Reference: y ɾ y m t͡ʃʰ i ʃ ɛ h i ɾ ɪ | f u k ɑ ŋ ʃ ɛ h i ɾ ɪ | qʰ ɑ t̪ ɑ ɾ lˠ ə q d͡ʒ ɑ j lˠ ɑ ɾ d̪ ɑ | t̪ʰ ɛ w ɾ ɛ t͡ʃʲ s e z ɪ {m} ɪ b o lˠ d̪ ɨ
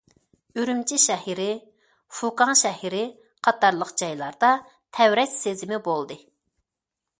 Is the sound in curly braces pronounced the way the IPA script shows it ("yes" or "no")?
yes